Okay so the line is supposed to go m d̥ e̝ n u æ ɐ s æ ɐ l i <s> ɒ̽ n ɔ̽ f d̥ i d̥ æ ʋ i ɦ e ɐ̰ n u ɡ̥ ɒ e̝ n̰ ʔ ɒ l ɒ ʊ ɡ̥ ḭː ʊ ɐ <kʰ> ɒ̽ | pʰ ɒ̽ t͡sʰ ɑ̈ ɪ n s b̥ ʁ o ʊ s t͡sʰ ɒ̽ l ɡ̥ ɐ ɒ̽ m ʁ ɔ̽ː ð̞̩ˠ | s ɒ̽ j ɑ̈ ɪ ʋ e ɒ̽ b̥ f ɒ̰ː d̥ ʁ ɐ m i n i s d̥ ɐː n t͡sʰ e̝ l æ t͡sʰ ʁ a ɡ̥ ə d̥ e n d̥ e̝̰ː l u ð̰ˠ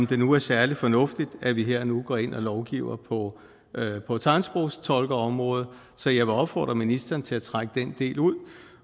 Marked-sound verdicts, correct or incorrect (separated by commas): incorrect, incorrect